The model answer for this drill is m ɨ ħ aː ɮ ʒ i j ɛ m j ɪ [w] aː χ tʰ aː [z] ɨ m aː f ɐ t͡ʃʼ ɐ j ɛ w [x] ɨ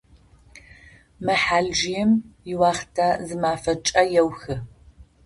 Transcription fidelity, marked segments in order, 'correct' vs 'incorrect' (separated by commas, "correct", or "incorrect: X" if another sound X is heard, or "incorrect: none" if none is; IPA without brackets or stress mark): correct, correct, correct